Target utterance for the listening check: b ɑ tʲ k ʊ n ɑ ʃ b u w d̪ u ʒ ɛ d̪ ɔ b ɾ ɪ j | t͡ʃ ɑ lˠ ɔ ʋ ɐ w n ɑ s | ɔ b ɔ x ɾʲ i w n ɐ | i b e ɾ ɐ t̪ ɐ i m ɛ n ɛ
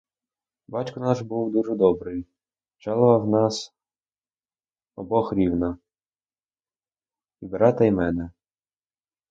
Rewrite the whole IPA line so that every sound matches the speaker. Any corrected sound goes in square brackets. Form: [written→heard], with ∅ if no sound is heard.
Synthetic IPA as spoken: b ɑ tʲ k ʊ n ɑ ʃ b u w d̪ u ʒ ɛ d̪ ɔ b ɾ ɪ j | t͡ʃ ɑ lˠ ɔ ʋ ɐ w n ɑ s | ɔ b ɔ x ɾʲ i w n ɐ | i b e ɾ [ɐ→ɑ] t̪ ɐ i m ɛ n ɛ